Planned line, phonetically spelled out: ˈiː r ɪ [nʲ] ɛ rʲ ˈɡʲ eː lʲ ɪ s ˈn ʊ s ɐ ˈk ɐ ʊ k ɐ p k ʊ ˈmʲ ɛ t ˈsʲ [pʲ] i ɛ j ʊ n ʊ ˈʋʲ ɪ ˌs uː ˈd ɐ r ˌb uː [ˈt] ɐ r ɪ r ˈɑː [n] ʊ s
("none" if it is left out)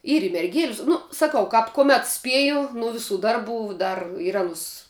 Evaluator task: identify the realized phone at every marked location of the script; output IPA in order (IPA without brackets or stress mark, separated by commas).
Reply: mʲ, pʲ, d, n